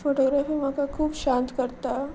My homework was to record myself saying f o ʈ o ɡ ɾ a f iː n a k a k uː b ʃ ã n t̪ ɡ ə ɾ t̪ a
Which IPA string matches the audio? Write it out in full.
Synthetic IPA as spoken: f o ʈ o ɡ ɾ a f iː m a k a kʰ uː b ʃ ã n t̪ k ə ɾ t̪ a